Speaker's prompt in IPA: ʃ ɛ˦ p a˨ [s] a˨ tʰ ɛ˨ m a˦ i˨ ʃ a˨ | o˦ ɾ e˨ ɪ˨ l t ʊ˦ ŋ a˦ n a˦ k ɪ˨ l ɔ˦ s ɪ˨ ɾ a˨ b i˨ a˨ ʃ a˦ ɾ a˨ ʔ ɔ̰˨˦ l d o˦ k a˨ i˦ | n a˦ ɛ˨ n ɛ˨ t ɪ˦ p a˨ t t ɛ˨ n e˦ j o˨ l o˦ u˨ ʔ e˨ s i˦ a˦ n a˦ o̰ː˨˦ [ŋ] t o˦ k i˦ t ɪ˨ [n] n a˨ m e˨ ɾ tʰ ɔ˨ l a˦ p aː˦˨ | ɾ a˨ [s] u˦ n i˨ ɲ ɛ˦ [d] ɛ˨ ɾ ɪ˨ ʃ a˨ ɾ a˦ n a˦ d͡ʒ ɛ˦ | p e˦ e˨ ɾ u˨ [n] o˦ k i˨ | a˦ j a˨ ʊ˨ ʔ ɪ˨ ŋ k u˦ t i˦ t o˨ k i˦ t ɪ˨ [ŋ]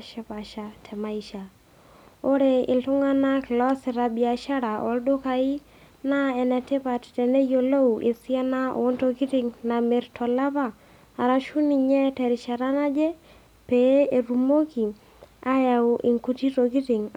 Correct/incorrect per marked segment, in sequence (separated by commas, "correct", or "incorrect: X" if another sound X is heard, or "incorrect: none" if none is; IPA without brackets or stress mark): incorrect: ʃ, incorrect: n, incorrect: ŋ, incorrect: ʃ, incorrect: t, incorrect: m, correct